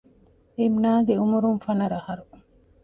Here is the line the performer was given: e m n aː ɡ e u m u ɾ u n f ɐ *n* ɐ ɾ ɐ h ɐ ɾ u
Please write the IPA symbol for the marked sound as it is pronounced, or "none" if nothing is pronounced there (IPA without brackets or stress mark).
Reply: n